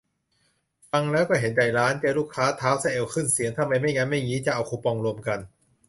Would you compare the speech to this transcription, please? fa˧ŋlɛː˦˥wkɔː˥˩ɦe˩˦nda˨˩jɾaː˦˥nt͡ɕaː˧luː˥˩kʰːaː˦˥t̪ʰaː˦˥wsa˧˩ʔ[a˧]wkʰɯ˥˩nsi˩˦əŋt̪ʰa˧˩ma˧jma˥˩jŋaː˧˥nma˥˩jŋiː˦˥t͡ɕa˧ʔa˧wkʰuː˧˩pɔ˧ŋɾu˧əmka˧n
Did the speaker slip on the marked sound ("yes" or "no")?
yes